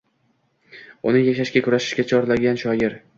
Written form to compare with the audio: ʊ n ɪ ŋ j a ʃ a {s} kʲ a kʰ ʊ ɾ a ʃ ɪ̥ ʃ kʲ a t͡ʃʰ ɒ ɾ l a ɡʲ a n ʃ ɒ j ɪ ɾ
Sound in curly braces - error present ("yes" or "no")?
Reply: yes